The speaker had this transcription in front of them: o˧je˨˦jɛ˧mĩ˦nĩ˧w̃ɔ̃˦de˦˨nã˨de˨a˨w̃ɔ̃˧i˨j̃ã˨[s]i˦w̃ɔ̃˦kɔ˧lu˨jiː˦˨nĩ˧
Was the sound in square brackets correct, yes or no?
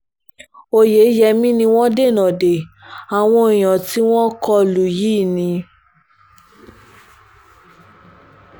no